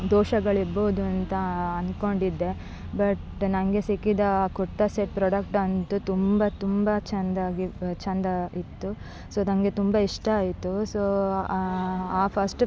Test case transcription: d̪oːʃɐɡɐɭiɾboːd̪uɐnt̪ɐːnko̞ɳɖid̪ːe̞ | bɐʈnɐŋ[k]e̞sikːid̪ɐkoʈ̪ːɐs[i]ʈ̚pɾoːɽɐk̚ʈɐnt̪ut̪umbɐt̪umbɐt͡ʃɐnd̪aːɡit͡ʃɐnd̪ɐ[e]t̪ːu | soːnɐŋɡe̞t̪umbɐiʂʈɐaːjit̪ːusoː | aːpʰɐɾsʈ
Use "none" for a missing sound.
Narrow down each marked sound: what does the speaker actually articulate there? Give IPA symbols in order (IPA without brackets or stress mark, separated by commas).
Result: ɡ, e, i